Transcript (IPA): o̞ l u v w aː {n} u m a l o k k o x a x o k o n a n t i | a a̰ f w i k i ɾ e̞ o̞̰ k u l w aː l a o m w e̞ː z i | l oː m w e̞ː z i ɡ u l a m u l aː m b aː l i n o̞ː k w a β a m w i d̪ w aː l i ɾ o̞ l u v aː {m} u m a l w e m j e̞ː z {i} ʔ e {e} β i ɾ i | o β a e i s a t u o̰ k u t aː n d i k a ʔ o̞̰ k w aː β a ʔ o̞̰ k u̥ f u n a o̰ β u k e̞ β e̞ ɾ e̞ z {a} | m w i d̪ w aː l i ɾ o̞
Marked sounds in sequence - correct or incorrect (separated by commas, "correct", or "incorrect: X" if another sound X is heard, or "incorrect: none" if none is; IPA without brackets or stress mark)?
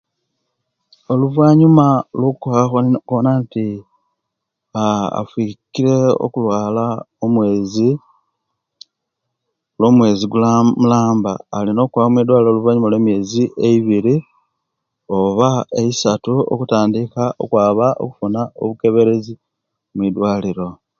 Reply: incorrect: ɲ, incorrect: ɲ, correct, incorrect: i, incorrect: i